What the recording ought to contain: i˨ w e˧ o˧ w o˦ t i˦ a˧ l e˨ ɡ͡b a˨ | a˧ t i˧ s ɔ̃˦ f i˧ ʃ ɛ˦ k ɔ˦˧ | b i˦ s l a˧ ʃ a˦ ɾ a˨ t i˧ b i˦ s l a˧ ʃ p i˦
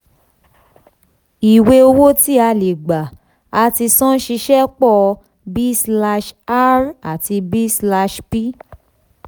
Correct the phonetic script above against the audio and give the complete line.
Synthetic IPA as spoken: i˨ w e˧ o˧ w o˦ t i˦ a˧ l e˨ ɡ͡b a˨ | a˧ t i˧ s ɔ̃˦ ʃ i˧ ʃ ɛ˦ k͡p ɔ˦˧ | b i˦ s l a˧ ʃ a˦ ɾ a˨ t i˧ b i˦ s l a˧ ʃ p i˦